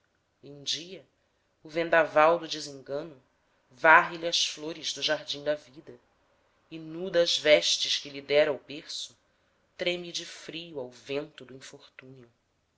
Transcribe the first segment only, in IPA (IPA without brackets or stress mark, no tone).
ũ